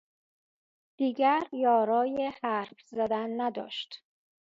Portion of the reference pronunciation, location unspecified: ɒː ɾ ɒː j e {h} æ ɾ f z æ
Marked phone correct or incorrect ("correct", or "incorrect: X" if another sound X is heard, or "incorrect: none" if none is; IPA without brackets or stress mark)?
correct